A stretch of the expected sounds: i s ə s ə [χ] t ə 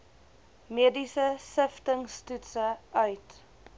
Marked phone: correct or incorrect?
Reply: incorrect